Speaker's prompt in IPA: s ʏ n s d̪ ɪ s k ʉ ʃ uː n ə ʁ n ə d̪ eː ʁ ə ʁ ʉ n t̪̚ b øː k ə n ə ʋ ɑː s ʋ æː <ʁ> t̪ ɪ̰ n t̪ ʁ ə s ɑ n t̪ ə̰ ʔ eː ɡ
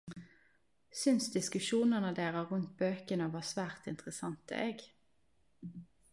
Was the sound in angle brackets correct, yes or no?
yes